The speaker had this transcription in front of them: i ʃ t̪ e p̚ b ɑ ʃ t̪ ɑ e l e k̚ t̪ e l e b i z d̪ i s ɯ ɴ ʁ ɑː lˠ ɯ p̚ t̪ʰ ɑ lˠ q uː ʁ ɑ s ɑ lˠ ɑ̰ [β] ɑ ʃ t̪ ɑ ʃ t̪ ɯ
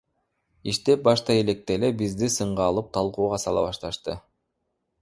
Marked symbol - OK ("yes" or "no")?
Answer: yes